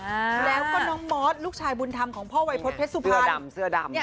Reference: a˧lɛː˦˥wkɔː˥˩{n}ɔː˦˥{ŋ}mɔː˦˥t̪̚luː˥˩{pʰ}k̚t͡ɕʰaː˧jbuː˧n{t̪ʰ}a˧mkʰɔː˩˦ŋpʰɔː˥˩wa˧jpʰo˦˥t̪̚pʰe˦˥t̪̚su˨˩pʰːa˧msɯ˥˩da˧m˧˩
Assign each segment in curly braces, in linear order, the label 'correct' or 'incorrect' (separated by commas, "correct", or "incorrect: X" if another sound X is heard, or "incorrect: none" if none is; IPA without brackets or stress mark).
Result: correct, correct, incorrect: none, correct